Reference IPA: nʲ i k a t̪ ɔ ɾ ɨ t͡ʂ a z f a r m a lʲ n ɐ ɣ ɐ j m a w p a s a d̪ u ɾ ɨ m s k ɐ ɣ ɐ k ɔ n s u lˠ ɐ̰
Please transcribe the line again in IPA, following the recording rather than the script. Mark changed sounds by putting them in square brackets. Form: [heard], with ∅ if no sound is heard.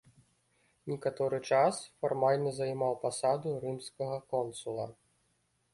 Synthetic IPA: nʲ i k a t̪ ɔ ɾ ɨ t͡ʂ a [s] f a r m a lʲ n ɐ [z] ɐ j m a w p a s a d̪ u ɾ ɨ m s k ɐ ɣ ɐ k ɔ n s u lˠ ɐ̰